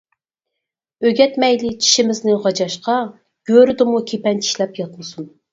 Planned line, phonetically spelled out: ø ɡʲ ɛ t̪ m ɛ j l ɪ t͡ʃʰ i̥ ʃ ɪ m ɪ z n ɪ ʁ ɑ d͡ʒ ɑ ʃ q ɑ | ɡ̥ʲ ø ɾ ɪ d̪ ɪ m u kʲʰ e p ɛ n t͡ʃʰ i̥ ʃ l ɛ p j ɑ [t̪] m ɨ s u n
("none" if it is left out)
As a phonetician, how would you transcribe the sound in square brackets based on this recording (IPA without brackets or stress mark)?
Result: t̪